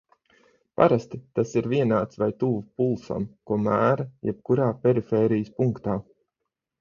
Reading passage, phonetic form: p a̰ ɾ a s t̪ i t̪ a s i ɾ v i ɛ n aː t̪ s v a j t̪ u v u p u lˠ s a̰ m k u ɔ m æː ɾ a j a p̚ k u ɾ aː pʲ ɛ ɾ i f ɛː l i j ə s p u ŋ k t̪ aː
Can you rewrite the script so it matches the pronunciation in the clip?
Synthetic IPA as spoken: p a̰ ɾ a s t̪ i t̪ a s i ɾ v i ɛ n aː t̪ s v a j t̪ u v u p u lˠ s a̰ m k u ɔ m æː ɾ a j ɛ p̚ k u ɾ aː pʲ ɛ ɾ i f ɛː ɾ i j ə s p u ŋ k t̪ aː